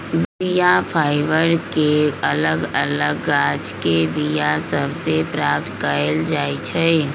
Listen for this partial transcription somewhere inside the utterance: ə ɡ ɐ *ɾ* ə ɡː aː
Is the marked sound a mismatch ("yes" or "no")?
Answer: yes